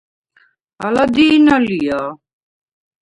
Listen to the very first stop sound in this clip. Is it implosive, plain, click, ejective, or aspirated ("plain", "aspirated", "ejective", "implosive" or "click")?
plain